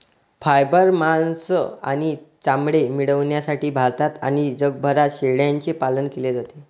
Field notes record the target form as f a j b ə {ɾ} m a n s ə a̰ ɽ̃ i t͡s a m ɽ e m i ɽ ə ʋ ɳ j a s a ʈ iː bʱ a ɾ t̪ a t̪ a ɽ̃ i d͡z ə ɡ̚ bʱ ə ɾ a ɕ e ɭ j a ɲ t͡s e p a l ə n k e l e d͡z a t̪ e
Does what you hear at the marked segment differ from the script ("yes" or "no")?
no